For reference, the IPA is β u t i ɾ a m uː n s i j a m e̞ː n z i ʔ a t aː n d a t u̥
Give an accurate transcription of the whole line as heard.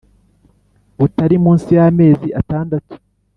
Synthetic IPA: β u t a ɾ i m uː n s i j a m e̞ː z i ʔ a t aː n d a t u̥